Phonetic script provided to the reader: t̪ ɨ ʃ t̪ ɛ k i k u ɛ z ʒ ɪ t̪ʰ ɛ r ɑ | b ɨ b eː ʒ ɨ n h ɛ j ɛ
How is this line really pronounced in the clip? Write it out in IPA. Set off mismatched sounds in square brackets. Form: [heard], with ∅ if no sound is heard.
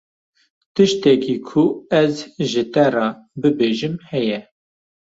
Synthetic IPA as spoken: t̪ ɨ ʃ t̪ ɛ k i [kʰ] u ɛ z ʒ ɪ [t̪] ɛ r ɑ | b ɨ b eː ʒ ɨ [m] h ɛ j ɛ